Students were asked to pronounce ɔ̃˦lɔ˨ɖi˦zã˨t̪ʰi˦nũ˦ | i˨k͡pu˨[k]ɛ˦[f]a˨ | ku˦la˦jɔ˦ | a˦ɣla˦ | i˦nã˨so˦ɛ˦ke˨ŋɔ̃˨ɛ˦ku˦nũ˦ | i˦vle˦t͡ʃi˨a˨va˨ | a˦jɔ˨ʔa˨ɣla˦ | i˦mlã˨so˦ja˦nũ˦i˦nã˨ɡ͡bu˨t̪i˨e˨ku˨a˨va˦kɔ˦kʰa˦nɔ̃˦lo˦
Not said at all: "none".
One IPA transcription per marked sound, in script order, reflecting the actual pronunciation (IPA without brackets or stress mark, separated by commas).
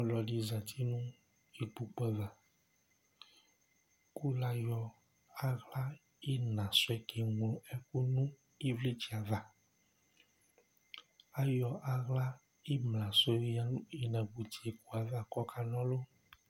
k͡p, v